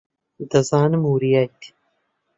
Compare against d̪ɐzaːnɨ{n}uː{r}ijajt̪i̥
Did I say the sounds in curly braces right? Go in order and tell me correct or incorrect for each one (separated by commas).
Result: incorrect, incorrect